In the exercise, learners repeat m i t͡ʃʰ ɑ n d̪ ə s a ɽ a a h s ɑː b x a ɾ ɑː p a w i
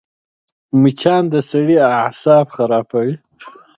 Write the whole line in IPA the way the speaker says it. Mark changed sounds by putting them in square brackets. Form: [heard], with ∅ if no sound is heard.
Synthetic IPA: m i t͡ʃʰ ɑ n d̪ ə s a ɽ [i] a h s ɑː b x a ɾ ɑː p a w i

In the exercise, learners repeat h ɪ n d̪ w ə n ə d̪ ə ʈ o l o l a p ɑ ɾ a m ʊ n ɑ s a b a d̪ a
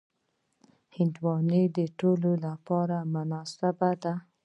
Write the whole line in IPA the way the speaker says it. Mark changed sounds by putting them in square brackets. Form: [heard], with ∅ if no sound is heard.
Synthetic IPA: h ɪ n d̪ w [ɑ] n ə d̪ ə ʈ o l o l a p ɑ ɾ a m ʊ n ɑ s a b a d̪ a

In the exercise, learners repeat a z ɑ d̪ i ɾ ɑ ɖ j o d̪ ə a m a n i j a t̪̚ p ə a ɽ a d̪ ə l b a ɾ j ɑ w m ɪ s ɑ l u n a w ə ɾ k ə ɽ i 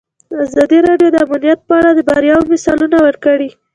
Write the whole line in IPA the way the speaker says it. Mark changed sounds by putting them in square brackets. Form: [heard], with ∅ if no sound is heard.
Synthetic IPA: a z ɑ d̪ i ɾ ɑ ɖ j o d̪ ə a m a n i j a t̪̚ p ə a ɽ a d̪ ə [∅] b a ɾ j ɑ w m ɪ s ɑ l u n a w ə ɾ k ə ɽ i

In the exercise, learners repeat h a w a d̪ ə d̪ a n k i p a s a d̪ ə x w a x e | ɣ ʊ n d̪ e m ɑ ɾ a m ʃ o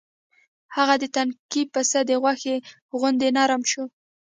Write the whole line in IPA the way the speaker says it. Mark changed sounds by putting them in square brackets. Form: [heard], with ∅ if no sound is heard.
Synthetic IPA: h a [ɣ] a d̪ ə [t̪] a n k i p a s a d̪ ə [ɣ] w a x e | ɣ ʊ n d̪ e [n] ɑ ɾ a m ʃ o

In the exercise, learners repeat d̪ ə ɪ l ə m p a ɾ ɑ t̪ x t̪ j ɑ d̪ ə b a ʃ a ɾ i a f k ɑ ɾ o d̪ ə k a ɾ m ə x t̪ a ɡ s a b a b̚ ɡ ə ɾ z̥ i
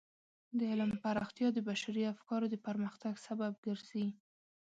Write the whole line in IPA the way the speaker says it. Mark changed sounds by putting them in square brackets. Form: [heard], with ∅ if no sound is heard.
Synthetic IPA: d̪ ə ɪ l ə m p a ɾ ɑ [∅] x t̪ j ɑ d̪ ə b a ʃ a ɾ i a f k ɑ ɾ o d̪ ə [p] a ɾ m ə x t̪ a ɡ s a b a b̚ ɡ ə ɾ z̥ i

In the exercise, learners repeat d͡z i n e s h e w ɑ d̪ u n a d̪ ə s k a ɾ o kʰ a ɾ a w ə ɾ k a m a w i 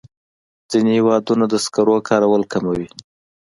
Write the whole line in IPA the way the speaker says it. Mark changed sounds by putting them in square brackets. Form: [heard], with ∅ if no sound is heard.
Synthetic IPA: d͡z i n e [∅] h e w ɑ d̪ u n a d̪ ə s k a ɾ o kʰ [ɑ] ɾ a w ə [l] k a m a w i

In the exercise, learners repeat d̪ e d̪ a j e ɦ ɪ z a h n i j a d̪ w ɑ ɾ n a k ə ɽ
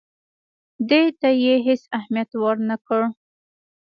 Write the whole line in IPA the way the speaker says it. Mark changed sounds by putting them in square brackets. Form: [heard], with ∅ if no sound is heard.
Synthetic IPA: d̪ e [t̪] a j e ɦ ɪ [s] a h [m] i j a [t̪] w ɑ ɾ n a k ə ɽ

